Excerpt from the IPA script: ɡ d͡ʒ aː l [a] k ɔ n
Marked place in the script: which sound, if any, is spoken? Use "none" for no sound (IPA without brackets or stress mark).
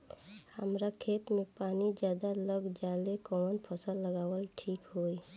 e